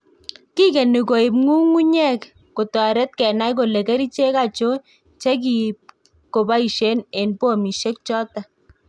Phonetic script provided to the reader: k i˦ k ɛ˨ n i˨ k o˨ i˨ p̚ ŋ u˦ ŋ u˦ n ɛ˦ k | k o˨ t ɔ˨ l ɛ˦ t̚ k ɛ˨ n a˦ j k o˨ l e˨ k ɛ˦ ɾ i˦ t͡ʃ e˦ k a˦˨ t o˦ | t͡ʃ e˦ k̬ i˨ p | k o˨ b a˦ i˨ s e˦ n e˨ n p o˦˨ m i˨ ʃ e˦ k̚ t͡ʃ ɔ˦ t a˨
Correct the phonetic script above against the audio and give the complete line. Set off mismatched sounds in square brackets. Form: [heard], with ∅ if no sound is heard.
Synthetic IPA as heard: k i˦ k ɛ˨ n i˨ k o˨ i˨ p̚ ŋ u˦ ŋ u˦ [ɲ] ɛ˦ k | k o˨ t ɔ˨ [ɾ] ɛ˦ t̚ k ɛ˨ n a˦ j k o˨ l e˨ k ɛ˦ ɾ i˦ t͡ʃ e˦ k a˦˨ [t͡ʃ] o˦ | t͡ʃ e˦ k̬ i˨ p | k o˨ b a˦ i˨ [ʃ] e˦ n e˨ n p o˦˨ m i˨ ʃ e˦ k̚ t͡ʃ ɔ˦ t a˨